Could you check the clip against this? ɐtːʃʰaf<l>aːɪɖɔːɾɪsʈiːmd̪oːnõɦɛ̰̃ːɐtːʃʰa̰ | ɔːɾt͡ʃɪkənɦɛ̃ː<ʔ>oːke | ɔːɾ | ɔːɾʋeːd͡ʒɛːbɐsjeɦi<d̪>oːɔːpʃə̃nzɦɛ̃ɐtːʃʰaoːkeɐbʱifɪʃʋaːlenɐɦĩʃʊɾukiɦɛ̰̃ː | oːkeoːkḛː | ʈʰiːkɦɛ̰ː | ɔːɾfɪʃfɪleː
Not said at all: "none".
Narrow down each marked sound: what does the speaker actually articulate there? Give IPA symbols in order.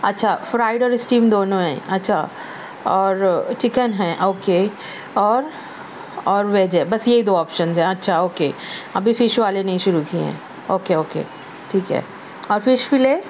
ɾ, ʔ, d̪

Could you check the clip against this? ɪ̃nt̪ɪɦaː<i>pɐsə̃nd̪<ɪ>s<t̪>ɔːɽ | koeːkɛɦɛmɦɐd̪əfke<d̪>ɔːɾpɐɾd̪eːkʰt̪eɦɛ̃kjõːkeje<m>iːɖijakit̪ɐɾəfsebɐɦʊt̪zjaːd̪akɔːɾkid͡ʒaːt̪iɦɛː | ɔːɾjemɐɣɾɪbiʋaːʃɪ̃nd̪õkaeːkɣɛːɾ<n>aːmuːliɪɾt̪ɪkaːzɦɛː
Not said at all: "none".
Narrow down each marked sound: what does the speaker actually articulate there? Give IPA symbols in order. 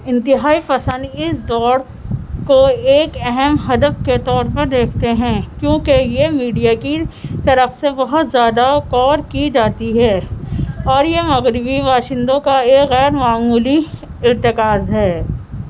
i, ɪ, d̪, t̪, m, m

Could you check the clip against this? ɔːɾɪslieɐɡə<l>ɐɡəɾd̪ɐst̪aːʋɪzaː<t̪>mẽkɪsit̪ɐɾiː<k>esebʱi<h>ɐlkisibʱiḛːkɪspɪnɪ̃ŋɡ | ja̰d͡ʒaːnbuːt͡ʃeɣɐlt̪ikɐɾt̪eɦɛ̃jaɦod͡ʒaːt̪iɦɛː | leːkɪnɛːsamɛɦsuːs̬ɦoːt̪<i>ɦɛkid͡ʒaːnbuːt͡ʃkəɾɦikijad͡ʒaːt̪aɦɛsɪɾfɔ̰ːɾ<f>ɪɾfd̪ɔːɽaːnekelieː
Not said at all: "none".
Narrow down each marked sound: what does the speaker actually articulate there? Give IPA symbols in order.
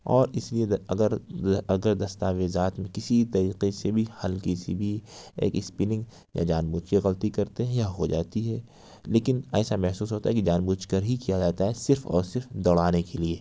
ɾ, t̪, q, h, a, s

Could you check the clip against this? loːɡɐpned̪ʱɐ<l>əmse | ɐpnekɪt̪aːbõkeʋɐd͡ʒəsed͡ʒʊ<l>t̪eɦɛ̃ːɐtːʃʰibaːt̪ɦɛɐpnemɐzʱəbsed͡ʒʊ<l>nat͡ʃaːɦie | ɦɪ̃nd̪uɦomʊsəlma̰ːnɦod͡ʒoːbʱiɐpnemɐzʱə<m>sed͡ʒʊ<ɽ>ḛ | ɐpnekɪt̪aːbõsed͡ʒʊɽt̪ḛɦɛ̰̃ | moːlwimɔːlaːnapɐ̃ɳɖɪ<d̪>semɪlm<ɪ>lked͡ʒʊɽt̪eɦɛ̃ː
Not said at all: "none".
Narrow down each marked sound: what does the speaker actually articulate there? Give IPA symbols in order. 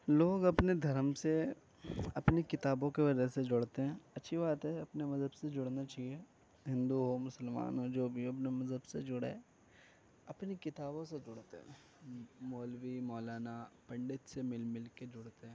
ɾ, ɽ, ɽ, b, ɽ, t̪, ɪ

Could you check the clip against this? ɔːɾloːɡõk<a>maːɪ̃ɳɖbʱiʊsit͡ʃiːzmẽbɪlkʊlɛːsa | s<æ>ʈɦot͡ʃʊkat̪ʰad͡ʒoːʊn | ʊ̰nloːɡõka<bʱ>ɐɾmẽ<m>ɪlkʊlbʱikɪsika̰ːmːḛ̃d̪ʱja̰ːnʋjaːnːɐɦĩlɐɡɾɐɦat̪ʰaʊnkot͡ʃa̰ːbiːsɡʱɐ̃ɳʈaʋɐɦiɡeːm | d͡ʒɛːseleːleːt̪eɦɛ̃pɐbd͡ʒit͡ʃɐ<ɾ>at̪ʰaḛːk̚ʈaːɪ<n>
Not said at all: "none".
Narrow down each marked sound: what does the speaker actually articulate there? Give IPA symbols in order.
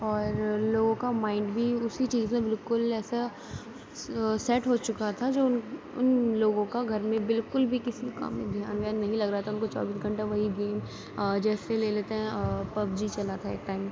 a, ɛ, ɡʱ, b, l, m

